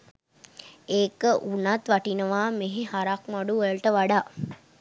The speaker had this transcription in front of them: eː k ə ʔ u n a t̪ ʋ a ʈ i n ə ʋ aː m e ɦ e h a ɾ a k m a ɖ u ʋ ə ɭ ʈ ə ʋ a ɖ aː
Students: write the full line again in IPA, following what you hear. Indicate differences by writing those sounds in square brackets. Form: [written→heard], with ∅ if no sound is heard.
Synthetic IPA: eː k ə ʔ u n a t̪ ʋ a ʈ i n ə ʋ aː m e ɦ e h a ɾ a k m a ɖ u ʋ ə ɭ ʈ ə ʋ a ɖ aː